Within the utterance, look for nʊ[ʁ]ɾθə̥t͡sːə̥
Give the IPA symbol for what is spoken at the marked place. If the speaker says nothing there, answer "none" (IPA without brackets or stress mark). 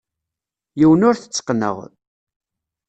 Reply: none